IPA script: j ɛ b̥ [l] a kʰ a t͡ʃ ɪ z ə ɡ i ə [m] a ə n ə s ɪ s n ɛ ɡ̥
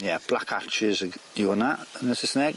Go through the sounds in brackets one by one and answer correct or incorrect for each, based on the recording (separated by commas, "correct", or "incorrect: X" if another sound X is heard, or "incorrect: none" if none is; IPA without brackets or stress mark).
correct, incorrect: n